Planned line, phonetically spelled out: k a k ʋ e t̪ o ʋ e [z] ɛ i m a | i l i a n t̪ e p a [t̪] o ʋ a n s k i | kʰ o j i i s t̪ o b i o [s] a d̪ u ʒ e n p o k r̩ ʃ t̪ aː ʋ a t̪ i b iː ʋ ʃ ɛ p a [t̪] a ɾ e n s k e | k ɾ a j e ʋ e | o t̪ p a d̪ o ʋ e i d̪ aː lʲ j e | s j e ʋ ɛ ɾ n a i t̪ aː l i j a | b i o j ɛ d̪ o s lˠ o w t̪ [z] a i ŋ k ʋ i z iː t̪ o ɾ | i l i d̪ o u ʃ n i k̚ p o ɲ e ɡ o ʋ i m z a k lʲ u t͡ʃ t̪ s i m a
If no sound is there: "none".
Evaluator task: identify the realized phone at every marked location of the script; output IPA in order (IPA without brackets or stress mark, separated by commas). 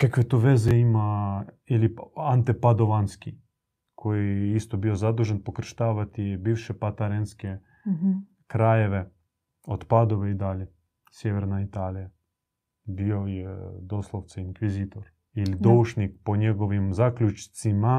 z, d̪, z, t̪, s